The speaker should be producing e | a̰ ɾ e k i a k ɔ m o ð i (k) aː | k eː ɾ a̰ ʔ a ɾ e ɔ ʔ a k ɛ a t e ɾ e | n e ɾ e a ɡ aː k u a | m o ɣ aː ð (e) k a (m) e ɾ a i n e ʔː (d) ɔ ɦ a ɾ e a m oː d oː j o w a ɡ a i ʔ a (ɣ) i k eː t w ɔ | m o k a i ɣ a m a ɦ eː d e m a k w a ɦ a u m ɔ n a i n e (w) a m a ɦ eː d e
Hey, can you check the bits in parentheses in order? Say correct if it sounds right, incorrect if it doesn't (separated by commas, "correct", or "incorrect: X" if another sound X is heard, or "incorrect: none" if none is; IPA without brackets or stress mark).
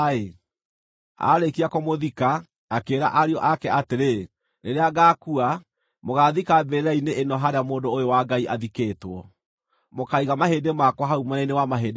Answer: correct, incorrect: i, incorrect: b, incorrect: n, incorrect: ð, correct